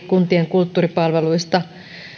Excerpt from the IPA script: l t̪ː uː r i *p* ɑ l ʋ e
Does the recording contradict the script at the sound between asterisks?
no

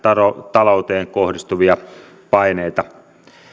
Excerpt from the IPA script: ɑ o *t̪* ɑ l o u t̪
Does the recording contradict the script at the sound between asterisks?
no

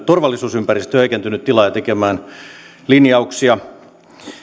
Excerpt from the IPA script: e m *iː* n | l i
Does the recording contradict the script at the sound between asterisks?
yes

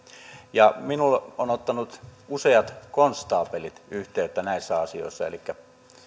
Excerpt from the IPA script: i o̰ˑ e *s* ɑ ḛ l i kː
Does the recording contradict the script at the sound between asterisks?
yes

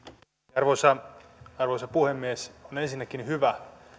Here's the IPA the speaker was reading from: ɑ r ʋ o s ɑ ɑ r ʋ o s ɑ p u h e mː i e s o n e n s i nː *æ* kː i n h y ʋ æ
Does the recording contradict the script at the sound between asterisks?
no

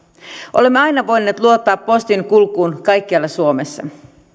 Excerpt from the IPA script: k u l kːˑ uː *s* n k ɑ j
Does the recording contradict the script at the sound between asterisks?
yes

